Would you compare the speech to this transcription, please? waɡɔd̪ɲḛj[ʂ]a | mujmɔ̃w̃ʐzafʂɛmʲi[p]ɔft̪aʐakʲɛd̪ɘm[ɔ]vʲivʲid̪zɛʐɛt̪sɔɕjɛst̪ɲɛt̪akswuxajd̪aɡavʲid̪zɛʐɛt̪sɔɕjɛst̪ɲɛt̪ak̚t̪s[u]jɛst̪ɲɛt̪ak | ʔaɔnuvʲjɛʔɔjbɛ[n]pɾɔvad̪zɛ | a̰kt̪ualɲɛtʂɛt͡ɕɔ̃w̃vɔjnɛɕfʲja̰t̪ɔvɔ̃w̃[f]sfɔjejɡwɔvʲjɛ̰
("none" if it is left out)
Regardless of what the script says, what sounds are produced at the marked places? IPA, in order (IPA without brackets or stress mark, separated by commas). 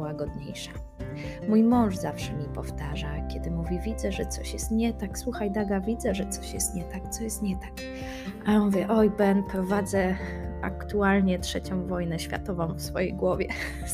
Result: ʂ, p, u, ɔ, n, f